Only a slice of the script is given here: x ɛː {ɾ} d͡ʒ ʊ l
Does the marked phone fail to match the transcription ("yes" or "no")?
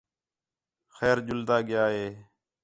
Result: no